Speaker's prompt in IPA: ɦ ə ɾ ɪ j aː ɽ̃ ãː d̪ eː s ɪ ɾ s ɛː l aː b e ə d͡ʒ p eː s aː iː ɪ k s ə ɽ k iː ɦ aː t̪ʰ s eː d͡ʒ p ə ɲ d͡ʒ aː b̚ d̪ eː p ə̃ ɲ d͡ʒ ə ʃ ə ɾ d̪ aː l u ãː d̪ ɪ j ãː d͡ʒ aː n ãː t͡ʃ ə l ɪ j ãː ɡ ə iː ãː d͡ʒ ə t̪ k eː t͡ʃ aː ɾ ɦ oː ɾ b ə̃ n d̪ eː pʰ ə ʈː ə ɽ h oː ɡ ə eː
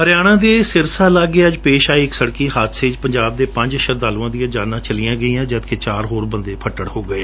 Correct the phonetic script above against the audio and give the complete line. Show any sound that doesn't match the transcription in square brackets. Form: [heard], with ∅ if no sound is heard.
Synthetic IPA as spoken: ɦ ə ɾ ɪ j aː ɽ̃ ãː d̪ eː s ɪ ɾ s [aː] l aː [ɡ] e ə d͡ʒ p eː [ʃ] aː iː ɪ k s ə ɽ k iː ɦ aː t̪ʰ s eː d͡ʒ p ə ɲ d͡ʒ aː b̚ d̪ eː p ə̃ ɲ d͡ʒ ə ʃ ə ɾ d̪ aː l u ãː d̪ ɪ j ãː d͡ʒ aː n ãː t͡ʃ ə l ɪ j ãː ɡ ə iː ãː d͡ʒ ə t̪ k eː t͡ʃ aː ɾ ɦ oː ɾ b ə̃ n d̪ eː pʰ ə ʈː ə ɽ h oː ɡ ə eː